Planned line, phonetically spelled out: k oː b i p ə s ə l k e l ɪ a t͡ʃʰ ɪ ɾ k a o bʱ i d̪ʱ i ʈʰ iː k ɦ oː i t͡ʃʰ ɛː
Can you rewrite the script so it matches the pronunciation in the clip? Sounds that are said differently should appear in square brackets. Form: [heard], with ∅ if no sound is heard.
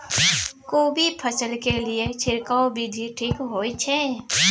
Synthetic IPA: k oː b i [pʰ] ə s ə l k e l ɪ [e] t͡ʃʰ ɪ ɾ k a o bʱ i d̪ʱ i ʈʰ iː k ɦ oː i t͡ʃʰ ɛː

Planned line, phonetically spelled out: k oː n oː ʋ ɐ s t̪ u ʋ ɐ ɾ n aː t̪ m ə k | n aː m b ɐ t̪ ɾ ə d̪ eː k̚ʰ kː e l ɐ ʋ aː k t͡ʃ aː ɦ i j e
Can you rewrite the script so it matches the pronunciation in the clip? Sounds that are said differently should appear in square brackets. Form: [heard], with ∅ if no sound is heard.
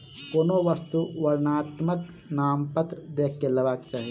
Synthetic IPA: k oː n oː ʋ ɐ s t̪ u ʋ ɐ ɾ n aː t̪ m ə k | n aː m [p] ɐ t̪ ɾ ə d̪ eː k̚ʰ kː e l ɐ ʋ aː k t͡ʃ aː ɦ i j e

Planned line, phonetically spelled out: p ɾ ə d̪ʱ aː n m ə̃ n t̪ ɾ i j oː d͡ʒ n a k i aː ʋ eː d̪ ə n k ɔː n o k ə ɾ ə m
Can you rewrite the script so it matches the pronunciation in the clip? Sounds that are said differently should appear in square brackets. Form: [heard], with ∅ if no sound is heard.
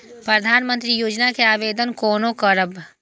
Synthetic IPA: p ɾ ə d̪ʱ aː n m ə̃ n t̪ ɾ i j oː d͡ʒ n a k [e] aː ʋ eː d̪ ə n k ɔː n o k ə ɾ ə [b]

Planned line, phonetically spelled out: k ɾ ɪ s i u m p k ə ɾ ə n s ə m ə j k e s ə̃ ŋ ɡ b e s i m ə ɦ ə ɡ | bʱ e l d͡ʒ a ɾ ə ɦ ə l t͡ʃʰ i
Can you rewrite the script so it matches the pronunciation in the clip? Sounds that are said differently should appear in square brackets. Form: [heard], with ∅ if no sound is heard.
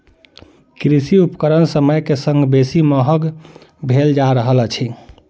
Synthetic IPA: k ɾ [i] s i u [∅] p k ə ɾ ə n s ə m ə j k e s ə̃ ŋ ɡ b e s i m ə ɦ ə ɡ | bʱ e l d͡ʒ a ɾ ə ɦ ə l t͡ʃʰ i

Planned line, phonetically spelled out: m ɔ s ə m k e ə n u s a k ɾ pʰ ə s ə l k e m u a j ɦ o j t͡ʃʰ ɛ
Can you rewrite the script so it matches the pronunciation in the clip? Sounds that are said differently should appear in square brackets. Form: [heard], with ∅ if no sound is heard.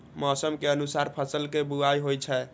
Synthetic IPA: m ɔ s ə m k e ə n u s a [∅] ɾ pʰ ə s ə l k e [b] u a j ɦ o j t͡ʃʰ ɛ

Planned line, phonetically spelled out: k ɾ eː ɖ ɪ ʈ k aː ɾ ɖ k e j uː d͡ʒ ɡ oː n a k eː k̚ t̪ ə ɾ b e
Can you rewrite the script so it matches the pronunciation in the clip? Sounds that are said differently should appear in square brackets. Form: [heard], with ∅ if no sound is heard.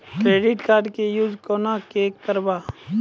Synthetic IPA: k ɾ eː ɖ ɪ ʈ k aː ɾ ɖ k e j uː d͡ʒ [k] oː n a k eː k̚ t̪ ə ɾ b [a]

